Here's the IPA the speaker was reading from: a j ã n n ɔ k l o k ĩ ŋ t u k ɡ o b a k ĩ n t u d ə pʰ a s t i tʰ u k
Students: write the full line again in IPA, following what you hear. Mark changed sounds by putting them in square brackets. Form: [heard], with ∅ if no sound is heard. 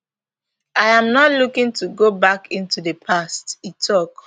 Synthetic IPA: a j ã [m] n ɔ [t] l [u] k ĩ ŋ t u [∅] ɡ o b a k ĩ n t u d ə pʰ a s t i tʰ [ɔ] k